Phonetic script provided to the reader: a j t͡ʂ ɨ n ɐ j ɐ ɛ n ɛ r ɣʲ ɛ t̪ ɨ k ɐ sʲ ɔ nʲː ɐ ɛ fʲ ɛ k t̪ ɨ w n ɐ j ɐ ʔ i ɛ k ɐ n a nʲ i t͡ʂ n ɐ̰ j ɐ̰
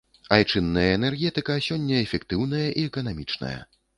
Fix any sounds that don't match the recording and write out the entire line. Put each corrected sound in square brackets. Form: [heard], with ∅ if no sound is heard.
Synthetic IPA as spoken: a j t͡ʂ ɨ [nː] ɐ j ɐ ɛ n ɛ r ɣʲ ɛ t̪ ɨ k ɐ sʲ ɔ nʲː ɐ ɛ fʲ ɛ k t̪ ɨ w n ɐ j ɐ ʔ i ɛ k ɐ n a [mʲ] i t͡ʂ n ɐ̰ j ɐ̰